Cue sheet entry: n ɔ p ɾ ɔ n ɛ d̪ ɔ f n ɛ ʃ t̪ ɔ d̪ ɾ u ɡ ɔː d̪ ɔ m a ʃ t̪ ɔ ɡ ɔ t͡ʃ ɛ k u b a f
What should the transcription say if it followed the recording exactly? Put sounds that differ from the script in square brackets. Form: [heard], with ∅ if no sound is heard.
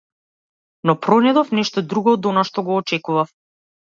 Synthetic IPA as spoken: n ɔ p ɾ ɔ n ɛ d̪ ɔ f n ɛ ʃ t̪ ɔ d̪ ɾ u ɡ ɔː d̪ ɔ [n] a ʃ t̪ ɔ ɡ [ɔː] t͡ʃ ɛ k u [v] a f